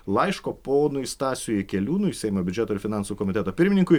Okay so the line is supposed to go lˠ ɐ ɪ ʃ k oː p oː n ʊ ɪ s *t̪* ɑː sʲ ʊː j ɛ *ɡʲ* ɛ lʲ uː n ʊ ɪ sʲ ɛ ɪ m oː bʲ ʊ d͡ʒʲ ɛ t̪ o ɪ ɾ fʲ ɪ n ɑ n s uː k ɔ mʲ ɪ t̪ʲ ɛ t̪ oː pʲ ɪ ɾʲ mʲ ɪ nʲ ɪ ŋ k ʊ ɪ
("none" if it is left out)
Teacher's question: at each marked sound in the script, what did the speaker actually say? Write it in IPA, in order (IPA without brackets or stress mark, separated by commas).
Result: t̪, kʲ